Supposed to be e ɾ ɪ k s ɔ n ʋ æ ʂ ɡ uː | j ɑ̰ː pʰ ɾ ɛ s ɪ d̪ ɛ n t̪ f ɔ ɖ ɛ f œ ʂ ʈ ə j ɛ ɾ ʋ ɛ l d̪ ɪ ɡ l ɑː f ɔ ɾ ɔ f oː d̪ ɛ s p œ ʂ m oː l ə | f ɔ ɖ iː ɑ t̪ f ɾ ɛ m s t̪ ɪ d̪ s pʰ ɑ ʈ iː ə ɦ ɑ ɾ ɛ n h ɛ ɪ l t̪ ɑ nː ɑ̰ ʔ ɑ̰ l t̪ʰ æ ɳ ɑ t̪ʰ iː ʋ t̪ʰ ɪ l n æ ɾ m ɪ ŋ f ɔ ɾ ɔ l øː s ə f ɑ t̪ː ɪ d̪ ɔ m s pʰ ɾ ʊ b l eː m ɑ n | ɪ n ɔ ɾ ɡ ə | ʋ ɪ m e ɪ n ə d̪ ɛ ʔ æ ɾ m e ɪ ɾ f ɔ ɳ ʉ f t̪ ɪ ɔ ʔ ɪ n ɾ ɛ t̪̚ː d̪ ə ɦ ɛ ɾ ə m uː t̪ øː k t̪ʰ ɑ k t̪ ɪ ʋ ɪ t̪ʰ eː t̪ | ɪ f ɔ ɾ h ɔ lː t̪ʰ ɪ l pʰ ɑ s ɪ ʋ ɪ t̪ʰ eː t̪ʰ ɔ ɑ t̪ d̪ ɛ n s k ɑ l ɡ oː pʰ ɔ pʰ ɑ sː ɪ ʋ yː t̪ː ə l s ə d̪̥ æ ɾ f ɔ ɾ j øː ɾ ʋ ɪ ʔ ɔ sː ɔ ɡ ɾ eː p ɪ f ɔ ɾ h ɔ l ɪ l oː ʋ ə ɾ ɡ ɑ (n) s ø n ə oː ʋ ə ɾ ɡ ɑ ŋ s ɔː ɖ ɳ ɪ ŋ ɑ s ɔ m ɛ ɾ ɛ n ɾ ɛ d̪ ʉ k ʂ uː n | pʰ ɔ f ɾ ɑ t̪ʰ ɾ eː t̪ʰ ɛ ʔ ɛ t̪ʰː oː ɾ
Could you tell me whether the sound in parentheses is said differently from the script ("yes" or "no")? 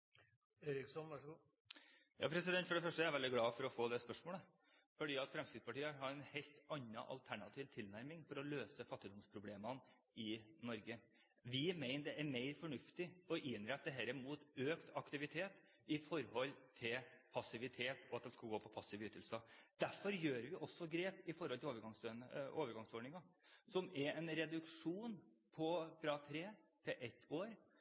yes